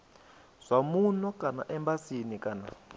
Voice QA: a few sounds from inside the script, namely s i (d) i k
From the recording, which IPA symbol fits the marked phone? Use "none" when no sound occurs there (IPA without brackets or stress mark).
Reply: n